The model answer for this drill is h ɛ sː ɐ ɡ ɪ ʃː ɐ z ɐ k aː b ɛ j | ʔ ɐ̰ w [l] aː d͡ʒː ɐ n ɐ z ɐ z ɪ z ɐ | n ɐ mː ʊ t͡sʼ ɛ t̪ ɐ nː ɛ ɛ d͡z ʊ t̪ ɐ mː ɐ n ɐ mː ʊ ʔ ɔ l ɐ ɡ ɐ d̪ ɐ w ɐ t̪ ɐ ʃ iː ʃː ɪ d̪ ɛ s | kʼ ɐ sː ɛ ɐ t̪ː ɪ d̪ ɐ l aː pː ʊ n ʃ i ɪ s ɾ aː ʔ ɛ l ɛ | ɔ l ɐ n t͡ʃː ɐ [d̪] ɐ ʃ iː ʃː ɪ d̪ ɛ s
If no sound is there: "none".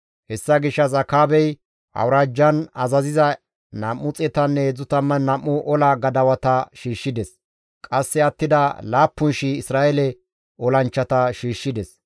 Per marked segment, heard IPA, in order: ɾ, t̪

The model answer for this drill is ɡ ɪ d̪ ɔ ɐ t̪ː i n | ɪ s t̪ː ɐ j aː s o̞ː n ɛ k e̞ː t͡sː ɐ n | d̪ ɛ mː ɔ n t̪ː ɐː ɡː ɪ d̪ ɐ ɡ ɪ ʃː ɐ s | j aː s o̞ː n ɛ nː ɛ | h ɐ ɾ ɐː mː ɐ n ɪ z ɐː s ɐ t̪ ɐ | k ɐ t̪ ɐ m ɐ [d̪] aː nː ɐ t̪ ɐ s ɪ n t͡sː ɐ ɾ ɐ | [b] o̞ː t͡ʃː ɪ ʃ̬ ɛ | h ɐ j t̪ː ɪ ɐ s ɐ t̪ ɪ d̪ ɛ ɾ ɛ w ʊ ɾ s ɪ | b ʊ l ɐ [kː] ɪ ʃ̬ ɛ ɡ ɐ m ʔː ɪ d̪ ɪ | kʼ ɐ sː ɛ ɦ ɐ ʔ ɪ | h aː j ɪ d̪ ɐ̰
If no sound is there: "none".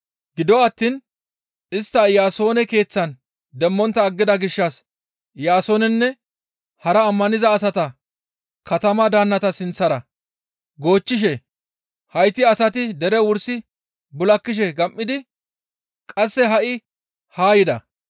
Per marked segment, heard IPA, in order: d̪, ɡ, kː

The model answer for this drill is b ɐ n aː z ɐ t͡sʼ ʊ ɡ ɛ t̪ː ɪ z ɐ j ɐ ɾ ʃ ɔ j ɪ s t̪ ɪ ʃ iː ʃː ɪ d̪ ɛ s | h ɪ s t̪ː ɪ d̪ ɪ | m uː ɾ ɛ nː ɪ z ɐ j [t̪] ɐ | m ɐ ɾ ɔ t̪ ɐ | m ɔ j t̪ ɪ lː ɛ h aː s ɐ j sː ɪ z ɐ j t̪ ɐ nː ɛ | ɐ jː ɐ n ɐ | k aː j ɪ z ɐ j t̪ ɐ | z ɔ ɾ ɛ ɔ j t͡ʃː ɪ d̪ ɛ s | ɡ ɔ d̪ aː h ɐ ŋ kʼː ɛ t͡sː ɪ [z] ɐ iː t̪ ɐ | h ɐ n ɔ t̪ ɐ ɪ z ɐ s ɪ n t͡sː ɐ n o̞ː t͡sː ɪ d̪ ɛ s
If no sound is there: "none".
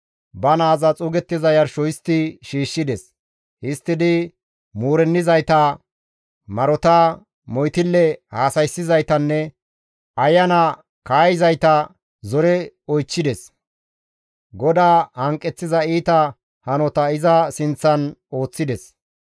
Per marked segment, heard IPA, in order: t̪, z

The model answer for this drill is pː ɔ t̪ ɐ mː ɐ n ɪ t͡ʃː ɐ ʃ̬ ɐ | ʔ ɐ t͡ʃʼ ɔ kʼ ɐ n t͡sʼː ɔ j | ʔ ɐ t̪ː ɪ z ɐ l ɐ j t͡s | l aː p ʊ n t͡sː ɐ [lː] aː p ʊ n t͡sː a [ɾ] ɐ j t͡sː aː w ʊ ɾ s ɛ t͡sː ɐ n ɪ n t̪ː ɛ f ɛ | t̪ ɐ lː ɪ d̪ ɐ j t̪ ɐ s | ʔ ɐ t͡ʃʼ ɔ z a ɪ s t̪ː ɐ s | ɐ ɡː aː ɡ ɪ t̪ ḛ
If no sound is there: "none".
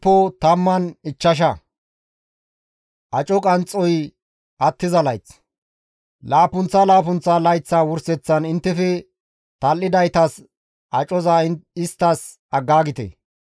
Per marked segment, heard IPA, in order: l, l

